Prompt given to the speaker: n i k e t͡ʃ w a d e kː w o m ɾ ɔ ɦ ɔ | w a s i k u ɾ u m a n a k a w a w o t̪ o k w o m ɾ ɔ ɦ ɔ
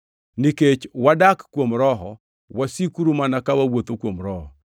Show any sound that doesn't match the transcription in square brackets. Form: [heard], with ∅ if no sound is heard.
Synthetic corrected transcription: n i k e t͡ʃ w a d [a] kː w o m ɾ ɔ ɦ ɔ | w a s i k u ɾ u m a n a k a w a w o t̪ o k w o m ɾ ɔ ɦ ɔ